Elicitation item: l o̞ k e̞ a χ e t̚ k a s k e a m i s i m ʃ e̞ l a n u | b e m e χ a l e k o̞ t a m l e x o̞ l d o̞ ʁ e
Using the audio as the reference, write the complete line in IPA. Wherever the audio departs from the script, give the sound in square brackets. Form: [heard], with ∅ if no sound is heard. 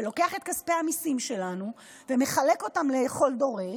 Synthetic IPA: l o̞ k e̞ a χ e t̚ k a s [p] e a m i s i m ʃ e̞ l a n u | [v] e m e χ a l e k o̞ t a m l e [χ] o̞ l d o̞ ʁ e

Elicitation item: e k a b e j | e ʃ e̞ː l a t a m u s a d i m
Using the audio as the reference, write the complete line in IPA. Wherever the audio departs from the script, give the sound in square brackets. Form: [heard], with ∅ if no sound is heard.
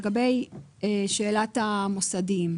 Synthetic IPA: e [ɡ] a b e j | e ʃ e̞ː l a t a m [o] s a d i m

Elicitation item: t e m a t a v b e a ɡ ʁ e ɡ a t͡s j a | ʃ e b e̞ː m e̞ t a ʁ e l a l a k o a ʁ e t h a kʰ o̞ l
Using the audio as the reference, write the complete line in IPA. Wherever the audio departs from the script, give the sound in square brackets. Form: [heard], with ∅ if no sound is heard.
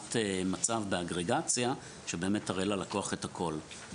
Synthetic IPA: t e m a [t͡s] a v b e a ɡ ʁ e ɡ a t͡s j a | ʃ e b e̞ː m e̞ t a ʁ e l a l a k o a [χ] e t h a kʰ o̞ l

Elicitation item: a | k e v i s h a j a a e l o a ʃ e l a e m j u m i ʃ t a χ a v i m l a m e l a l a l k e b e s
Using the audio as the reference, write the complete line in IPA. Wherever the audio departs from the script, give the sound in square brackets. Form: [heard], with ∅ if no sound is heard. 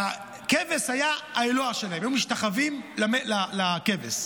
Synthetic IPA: a | k e v [e] s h a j a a e l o a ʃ e l a e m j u m i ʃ t a χ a v i m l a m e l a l a [∅] k e [v] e s

